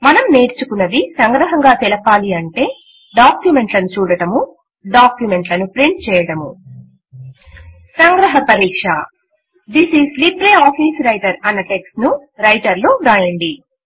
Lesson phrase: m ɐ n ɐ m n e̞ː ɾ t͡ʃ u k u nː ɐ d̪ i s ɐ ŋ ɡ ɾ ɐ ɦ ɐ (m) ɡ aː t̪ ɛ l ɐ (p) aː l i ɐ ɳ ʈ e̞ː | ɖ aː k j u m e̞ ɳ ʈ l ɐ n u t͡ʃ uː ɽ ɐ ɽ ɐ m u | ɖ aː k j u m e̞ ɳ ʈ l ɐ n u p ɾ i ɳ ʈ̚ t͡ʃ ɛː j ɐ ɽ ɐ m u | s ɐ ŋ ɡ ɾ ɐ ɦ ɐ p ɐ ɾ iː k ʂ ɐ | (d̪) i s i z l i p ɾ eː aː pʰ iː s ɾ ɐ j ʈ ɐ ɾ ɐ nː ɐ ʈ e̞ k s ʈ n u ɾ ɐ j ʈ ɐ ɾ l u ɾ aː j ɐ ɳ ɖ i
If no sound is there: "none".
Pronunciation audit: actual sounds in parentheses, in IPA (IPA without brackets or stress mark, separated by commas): ŋ, p, d̪